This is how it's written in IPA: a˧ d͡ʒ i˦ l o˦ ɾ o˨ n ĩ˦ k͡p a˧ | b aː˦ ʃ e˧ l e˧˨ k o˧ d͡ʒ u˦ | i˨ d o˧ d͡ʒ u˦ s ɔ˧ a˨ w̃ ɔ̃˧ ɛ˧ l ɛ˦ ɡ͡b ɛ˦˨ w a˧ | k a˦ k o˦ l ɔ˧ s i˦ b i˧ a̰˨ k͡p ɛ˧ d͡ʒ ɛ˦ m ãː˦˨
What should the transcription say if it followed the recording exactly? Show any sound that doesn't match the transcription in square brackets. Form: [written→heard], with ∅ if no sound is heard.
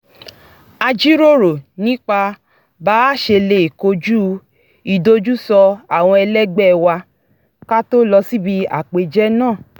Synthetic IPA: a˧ d͡ʒ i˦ [l→ɾ] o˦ ɾ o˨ n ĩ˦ k͡p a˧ | b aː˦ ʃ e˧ l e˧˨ k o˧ d͡ʒ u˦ | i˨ d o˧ d͡ʒ u˦ s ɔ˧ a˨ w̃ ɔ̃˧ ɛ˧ l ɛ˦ ɡ͡b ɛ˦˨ w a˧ | k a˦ [k→t] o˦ l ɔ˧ s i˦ b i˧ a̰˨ k͡p [ɛ˧→e˧] d͡ʒ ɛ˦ [m→n] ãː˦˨